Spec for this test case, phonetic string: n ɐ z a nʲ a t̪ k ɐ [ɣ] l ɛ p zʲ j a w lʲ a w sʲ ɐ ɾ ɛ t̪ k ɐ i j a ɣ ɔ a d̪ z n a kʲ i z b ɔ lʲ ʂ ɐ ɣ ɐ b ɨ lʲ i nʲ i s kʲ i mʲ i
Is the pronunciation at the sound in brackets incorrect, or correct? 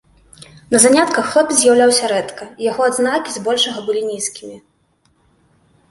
incorrect